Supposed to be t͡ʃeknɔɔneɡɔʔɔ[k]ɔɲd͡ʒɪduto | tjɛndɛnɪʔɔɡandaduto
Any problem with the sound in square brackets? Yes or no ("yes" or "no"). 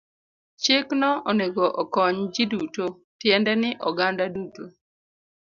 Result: no